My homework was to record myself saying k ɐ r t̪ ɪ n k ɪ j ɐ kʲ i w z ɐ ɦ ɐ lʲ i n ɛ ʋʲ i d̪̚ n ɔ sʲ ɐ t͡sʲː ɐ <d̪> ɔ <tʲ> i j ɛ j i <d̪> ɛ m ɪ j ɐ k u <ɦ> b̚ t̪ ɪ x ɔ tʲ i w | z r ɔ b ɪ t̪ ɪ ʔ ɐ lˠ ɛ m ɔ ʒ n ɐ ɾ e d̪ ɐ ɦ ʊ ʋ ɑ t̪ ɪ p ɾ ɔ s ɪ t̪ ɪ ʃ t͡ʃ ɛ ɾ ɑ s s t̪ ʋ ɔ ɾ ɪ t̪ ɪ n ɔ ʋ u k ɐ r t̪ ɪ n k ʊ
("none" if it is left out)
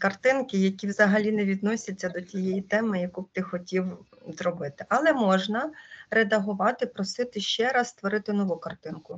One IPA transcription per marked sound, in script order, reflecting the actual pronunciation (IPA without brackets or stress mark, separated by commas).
d̪, tʲ, t̪, none